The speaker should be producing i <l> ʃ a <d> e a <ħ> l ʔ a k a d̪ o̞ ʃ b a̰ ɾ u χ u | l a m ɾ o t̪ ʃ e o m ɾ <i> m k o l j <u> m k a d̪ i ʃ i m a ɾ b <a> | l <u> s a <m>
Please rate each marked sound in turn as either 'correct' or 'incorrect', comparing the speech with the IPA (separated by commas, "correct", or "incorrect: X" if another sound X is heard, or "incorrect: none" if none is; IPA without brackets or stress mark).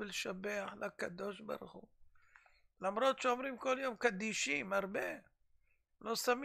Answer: correct, incorrect: b, correct, correct, incorrect: o, incorrect: e, incorrect: o, correct